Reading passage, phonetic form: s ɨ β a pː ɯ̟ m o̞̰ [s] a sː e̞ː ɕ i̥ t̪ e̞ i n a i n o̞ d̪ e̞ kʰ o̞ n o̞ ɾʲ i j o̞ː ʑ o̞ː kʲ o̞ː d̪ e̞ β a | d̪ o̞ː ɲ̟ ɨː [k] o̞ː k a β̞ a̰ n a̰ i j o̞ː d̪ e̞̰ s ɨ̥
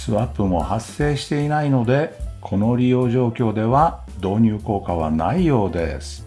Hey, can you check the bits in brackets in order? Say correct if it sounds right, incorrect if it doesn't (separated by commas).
incorrect, correct